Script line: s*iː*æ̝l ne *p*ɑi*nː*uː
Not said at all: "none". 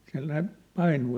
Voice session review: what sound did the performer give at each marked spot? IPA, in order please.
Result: i, p, n

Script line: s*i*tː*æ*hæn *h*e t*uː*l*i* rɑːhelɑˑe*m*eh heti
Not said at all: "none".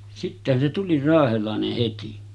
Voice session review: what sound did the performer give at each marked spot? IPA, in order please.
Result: i, e, s, u, i, n

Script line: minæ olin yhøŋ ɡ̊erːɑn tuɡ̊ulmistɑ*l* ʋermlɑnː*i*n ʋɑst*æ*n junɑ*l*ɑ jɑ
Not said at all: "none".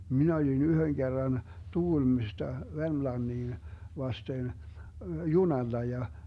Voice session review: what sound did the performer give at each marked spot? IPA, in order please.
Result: none, iː, e, lː

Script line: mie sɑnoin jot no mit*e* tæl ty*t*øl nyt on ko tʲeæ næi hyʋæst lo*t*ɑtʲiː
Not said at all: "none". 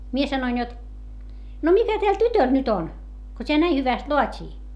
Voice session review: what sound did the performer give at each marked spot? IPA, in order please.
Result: æ, t, none

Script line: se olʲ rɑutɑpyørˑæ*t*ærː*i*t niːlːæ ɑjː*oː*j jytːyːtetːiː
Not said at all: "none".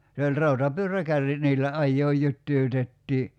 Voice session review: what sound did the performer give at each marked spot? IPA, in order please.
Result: k, i, oː

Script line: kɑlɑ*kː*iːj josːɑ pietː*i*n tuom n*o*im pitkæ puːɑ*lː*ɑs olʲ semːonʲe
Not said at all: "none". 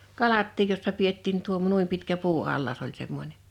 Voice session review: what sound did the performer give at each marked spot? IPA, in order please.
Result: tː, iː, u, lː

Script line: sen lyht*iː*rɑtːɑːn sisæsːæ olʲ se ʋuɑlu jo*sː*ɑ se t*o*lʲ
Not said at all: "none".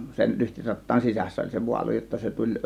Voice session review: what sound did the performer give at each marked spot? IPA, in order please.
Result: i, tː, u

